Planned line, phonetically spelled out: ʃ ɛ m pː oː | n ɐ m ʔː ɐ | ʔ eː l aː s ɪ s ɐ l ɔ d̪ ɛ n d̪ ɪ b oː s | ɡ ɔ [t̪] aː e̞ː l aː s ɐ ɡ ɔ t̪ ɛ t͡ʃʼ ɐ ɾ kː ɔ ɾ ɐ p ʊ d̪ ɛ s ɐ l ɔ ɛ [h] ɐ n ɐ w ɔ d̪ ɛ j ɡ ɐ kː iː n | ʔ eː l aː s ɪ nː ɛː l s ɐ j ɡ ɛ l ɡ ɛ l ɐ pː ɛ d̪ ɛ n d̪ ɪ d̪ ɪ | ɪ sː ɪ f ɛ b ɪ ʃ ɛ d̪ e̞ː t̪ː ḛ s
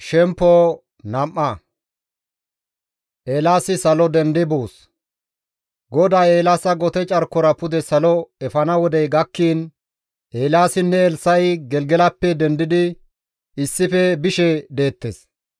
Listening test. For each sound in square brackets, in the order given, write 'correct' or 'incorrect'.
incorrect, incorrect

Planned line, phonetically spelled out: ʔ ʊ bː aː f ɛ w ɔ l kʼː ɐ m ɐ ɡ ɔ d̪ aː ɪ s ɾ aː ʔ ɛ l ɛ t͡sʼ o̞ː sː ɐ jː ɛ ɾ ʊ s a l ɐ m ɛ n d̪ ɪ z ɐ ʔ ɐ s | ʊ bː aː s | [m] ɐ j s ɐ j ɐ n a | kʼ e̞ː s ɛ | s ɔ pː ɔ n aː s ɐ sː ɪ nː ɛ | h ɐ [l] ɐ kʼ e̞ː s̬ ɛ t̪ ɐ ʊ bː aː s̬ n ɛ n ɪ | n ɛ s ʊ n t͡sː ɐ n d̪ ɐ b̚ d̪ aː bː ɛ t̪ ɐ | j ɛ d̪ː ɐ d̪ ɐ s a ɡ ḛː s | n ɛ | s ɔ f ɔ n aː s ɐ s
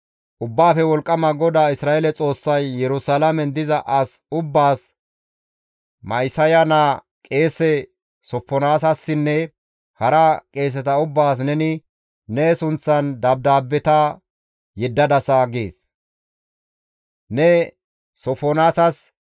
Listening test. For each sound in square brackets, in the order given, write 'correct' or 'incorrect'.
correct, incorrect

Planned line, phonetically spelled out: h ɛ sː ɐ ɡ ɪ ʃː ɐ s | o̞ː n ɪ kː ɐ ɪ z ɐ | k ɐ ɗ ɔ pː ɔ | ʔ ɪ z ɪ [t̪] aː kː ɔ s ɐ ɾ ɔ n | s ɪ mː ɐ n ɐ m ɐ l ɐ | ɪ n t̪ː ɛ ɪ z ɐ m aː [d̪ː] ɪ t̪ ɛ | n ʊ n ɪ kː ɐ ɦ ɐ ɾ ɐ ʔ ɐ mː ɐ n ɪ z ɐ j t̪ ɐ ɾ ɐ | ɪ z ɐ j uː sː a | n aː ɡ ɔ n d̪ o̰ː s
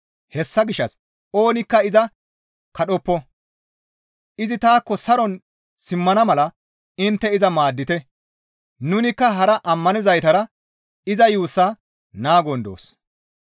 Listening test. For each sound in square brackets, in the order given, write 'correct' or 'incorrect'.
correct, correct

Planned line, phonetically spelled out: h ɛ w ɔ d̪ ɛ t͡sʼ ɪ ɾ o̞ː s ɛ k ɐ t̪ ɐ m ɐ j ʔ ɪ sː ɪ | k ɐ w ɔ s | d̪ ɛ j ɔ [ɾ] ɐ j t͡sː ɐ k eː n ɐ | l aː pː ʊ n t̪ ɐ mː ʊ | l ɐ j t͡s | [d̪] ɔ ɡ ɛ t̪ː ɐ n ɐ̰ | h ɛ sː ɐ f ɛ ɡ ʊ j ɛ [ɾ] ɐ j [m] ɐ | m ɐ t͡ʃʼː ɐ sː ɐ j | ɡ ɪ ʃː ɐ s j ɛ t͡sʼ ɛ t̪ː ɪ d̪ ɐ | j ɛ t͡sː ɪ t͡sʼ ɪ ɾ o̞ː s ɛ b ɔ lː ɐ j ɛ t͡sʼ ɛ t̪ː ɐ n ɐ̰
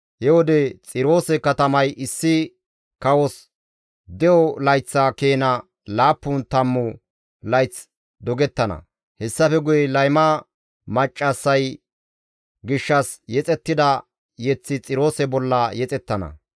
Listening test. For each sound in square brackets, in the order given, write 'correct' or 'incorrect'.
incorrect, correct, incorrect, correct

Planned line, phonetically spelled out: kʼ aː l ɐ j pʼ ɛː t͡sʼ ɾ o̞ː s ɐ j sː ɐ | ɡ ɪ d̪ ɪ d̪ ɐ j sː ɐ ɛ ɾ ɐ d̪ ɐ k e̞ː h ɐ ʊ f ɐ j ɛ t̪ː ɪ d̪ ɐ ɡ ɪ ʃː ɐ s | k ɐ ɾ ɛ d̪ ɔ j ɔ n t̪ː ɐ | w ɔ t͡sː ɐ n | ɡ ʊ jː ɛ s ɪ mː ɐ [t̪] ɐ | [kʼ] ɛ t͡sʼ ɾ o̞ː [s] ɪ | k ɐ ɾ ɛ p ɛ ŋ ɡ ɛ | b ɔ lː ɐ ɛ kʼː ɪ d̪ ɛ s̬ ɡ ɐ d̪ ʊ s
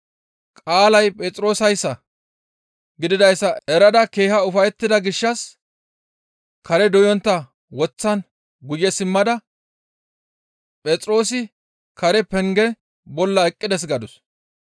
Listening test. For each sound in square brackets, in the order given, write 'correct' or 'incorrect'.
incorrect, incorrect, correct

